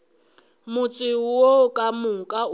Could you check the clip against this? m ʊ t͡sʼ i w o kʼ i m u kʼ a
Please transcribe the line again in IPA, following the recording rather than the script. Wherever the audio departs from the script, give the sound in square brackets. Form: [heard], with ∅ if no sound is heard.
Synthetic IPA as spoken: m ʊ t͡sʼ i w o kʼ [a] m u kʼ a